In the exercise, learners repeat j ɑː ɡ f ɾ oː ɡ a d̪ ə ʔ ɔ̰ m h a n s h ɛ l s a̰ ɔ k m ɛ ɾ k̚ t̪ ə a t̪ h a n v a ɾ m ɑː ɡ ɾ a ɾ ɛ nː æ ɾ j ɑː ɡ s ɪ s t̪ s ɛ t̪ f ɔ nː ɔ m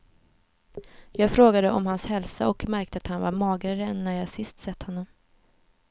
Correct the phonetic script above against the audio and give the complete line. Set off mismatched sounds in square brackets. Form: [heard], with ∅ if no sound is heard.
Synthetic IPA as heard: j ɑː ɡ f ɾ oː ɡ a d̪ ə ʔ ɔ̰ m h a n s h ɛ l s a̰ ɔ k m [æ] ɾ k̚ t̪ ə a t̪ h a n v a ɾ m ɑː ɡ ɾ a ɾ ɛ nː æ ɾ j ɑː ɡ s ɪ s t̪ s ɛ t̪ [h] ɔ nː ɔ m